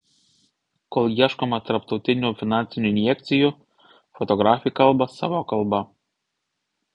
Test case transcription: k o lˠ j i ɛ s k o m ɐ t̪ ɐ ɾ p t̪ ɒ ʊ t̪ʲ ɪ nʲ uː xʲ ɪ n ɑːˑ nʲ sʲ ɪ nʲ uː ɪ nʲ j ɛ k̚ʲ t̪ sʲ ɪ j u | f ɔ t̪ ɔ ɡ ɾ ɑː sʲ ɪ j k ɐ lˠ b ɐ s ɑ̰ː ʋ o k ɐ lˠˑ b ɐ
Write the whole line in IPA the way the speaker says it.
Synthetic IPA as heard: k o lˠ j i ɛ ʃ k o m ɐ t̪ ɐ ɾ p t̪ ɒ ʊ t̪ʲ ɪ nʲ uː fʲ ɪ n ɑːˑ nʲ sʲ ɪ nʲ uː ɪ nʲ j ɛ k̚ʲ t̪ sʲ ɪ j u | f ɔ t̪ ɔ ɡ ɾ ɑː fʲ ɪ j k ɐ lˠ b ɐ s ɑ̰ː ʋ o k ɐ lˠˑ b ɐ